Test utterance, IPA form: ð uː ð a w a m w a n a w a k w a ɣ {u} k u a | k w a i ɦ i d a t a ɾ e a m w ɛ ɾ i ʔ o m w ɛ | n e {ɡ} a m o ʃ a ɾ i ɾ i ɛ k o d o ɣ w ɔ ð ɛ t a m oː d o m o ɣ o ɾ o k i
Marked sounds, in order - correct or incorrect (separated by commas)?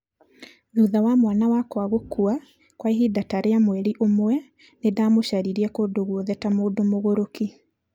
incorrect, incorrect